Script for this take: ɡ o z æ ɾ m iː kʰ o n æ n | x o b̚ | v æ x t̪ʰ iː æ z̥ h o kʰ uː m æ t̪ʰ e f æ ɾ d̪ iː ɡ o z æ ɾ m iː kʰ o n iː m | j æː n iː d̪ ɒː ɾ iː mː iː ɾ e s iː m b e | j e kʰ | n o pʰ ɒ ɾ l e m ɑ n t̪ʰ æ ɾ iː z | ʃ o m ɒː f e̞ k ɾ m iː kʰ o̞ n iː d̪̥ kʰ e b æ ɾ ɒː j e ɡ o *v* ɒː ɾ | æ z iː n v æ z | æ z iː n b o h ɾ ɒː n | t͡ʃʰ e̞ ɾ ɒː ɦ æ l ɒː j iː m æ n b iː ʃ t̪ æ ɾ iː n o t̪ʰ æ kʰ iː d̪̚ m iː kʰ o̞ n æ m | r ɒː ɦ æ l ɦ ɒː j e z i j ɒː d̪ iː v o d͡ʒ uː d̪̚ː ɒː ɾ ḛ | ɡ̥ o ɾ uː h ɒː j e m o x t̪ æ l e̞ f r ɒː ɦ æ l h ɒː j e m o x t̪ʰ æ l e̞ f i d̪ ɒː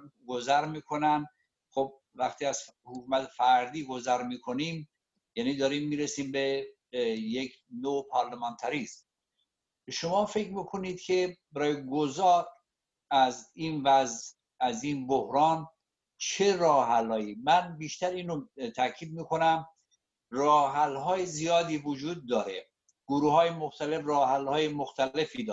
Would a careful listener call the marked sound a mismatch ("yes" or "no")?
yes